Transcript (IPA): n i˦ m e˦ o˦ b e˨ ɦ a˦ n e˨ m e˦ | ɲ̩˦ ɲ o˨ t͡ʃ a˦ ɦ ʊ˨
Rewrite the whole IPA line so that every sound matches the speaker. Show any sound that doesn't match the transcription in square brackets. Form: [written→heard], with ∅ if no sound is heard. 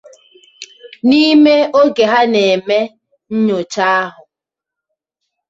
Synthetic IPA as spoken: n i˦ m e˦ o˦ [b→ɡ] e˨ ɦ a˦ n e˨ m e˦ | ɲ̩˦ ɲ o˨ t͡ʃ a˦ ɦ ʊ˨